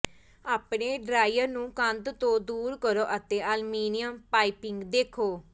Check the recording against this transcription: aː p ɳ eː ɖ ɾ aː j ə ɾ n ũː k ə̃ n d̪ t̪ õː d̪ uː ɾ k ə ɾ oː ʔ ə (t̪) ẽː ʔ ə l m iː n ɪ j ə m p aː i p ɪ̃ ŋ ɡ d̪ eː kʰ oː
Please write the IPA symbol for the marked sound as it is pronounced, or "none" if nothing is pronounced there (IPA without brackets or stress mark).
t̪